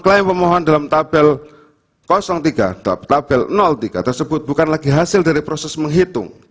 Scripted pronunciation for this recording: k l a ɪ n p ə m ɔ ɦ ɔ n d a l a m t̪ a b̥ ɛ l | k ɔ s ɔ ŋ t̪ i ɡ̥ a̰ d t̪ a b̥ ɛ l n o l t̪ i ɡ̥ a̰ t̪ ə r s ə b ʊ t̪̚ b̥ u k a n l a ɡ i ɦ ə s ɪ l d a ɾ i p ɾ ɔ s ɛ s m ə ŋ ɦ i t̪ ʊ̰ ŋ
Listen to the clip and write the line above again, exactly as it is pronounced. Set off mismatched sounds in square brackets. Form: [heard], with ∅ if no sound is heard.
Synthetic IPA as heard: k l a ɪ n p ə m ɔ ɦ ɔ n d a l a m t̪ a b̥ ɛ l | k ɔ s ɔ ŋ t̪ i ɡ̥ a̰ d t̪ a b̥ ɛ l n [ɔ] l t̪ i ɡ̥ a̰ t̪ ə r s ə b ʊ t̪̚ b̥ u k a n l a ɡ i ɦ [a] s ɪ l d a ɾ i p ɾ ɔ s ɛ s m ə ŋ ɦ i t̪ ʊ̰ ŋ